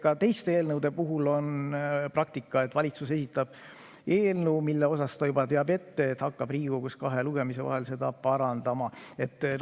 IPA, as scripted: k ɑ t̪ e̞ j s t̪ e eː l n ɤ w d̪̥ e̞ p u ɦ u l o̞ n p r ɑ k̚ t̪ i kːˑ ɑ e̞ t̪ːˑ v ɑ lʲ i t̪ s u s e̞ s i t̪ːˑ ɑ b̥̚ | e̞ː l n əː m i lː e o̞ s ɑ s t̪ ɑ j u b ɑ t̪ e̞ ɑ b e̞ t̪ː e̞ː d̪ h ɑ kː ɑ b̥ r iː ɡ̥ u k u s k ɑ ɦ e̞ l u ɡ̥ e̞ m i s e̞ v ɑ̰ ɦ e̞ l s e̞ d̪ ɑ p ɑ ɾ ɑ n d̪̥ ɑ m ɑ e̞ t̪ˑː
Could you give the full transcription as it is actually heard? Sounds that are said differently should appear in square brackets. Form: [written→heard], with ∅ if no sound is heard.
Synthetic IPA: k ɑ t̪ e̞ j s t̪ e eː l n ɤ w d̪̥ e̞ p u ɦ u l o̞ n p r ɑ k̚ t̪ i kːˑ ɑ e̞ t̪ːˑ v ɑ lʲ i t̪ s u s e̞ s i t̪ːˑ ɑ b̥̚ | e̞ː l n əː m i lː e o̞ s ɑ s t̪ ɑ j u b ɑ t̪ e̞ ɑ b e̞ t̪ː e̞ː [d̪→t̪] h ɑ kː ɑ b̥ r iː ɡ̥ u k u s k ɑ ɦ e̞ l u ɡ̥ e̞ m i s e̞ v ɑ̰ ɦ e̞ l s e̞ d̪ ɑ p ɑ ɾ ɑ n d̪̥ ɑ m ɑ e̞ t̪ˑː